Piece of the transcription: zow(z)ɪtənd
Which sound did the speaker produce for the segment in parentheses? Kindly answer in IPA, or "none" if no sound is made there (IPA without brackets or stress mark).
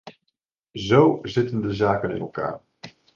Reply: z